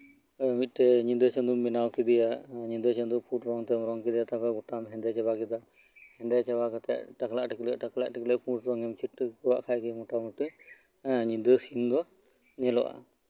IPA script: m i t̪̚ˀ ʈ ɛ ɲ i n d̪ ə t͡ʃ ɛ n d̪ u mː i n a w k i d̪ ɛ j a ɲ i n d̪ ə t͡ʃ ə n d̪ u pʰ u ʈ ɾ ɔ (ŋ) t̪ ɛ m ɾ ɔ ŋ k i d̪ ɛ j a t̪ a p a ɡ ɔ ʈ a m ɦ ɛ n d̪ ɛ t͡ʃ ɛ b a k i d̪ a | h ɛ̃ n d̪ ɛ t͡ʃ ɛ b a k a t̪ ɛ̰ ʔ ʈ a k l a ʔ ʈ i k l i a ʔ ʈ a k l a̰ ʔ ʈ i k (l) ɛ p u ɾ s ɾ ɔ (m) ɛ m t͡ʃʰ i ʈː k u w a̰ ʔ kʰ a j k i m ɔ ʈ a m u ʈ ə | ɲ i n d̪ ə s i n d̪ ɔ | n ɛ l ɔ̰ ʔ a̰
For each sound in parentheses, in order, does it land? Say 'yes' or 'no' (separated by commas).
yes, yes, no